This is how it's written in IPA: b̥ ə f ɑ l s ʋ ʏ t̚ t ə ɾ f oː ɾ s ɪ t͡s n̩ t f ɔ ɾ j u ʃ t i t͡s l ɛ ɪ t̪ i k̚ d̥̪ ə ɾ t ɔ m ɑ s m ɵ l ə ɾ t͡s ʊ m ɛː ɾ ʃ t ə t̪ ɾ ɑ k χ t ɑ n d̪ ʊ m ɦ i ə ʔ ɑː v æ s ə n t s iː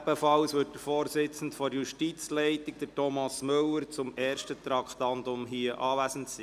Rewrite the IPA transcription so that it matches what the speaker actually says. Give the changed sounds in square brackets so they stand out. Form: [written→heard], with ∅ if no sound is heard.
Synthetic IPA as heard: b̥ ə f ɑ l s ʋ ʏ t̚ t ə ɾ f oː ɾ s ɪ t͡s n̩ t f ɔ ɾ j u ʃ t i t͡s l ɛ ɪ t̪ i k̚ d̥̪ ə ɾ t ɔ m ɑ s m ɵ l ə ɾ t͡s ʊ m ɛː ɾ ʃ t ə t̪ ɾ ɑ k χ t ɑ n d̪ ʊ m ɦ i ə ʔ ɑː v æ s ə n t s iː